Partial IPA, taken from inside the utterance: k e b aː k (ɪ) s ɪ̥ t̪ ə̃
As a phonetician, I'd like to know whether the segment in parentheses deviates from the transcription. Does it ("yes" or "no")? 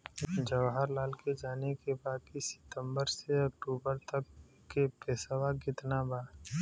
yes